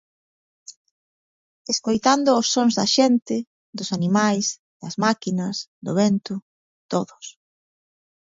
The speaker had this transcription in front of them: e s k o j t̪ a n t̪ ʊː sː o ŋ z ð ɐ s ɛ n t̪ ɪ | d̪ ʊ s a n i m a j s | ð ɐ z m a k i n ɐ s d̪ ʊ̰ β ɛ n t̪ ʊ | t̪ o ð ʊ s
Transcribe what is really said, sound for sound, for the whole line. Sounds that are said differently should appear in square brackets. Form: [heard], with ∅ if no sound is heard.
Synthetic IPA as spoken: e s k o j t̪ a n [d̪] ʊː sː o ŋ z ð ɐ [ʃ] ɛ n t̪ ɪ | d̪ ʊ s a n i m a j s | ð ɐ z m a k i n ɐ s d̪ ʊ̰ β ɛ n t̪ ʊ | t̪ o ð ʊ s